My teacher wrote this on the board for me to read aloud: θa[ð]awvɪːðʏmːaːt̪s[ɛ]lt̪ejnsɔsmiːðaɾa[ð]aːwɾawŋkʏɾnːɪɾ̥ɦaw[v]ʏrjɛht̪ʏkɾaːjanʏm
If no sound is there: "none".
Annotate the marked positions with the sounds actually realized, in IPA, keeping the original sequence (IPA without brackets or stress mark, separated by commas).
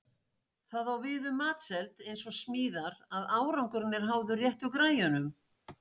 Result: ð, ɛ, ð, ð